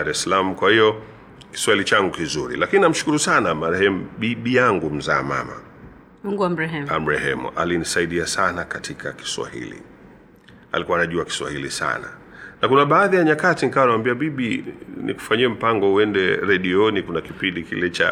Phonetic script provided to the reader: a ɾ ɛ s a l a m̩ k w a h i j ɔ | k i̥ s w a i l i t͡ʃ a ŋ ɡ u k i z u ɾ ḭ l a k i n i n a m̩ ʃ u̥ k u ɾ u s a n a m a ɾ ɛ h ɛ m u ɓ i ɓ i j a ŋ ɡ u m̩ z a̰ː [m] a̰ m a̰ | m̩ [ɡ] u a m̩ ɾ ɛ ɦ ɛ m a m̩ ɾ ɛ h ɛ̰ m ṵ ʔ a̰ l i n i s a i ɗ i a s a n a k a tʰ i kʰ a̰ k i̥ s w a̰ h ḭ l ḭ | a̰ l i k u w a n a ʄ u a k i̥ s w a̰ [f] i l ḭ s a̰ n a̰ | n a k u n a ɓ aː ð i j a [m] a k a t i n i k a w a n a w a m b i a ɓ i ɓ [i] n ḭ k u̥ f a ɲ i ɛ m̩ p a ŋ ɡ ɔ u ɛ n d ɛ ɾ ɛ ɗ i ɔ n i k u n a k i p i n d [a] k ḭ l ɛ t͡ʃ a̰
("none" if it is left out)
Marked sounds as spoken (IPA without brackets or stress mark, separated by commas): m, ɡ, h, ɲ, i, i